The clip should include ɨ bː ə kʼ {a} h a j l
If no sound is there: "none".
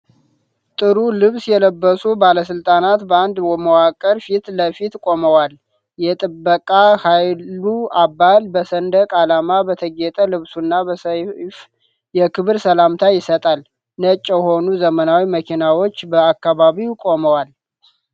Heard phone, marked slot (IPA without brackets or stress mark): a